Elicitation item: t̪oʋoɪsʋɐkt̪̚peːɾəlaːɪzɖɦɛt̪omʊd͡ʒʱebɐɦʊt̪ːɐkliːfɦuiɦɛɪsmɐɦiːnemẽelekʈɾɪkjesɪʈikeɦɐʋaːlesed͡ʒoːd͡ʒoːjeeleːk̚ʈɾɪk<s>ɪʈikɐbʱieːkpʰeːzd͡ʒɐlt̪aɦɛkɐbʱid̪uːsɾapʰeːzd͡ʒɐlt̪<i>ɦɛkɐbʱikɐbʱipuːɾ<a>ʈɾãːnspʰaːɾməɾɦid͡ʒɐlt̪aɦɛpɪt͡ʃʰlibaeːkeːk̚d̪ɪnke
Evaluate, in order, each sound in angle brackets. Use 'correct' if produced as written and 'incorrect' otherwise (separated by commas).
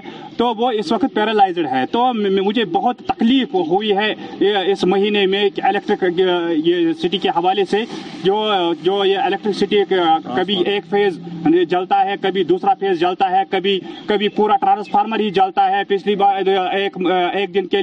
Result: correct, incorrect, correct